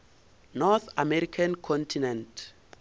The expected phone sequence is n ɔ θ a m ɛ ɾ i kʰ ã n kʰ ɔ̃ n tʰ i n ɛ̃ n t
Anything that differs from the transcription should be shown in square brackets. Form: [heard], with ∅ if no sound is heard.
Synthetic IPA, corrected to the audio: n ɔ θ a m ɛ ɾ i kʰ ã n kʰ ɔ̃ n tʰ i n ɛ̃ n t